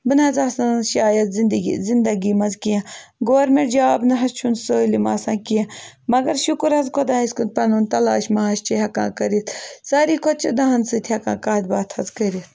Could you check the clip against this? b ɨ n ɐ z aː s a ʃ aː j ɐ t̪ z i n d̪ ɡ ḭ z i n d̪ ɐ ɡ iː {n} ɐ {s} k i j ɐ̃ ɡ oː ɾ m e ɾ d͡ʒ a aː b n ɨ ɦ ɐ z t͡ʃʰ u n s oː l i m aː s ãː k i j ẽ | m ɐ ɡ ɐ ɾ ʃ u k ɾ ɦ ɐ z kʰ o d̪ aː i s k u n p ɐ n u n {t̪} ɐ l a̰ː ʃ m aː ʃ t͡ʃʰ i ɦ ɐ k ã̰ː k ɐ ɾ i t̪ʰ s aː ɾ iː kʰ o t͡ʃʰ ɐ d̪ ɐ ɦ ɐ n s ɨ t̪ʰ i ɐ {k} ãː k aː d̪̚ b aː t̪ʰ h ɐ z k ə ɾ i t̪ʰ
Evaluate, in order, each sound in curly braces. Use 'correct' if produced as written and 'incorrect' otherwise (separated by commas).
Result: incorrect, incorrect, correct, correct